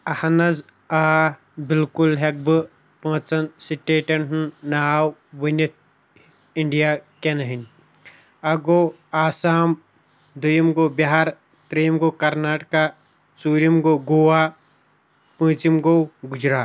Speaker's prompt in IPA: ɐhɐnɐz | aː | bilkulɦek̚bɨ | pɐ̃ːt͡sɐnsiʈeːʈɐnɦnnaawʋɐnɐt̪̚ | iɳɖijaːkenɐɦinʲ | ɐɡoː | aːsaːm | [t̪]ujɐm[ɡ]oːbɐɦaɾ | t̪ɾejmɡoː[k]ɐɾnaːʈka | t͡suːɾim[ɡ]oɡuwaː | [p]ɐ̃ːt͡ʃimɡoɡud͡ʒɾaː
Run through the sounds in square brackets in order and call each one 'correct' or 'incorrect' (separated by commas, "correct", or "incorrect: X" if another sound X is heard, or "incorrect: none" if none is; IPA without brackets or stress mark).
incorrect: d̪, correct, correct, correct, correct